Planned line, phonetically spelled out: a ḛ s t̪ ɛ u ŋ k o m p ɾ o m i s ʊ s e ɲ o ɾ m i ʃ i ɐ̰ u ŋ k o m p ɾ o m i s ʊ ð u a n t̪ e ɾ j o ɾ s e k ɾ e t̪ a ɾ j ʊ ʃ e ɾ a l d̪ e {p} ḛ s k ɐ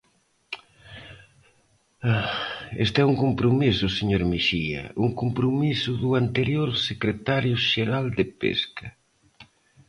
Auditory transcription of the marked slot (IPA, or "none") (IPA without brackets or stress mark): p